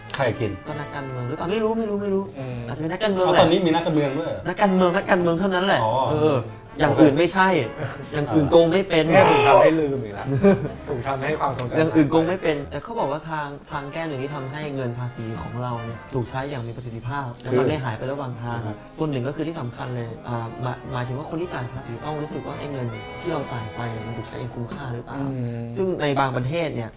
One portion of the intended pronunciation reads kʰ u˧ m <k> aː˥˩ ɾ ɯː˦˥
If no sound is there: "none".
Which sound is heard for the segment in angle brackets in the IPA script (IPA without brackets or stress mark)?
kʰ